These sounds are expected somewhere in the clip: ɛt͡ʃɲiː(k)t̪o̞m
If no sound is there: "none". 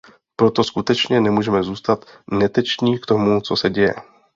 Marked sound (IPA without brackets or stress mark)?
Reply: k